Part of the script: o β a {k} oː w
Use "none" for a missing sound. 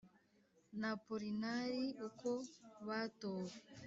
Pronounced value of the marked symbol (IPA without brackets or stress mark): t